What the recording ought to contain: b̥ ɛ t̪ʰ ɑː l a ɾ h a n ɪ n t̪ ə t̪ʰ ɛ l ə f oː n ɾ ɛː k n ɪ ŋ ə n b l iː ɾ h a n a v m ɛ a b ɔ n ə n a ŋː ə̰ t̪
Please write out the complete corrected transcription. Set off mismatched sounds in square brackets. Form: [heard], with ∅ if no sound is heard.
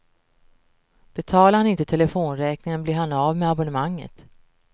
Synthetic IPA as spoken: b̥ ɛ t̪ʰ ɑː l a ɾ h a n ɪ n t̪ ə t̪ʰ ɛ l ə f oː n ɾ ɛː k n ɪ ŋ ə n b l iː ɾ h a n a v m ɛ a b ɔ n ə [m] a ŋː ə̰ t̪